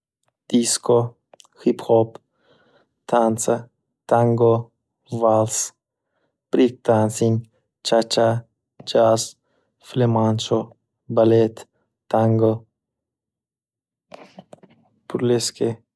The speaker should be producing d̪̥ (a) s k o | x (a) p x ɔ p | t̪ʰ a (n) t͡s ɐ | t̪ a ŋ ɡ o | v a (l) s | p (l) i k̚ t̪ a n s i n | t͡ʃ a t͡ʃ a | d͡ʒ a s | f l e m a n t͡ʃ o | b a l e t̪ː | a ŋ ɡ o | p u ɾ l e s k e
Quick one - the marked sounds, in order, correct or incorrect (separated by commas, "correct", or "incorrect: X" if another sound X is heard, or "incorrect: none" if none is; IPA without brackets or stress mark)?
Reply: incorrect: i, incorrect: i, correct, correct, incorrect: ɾ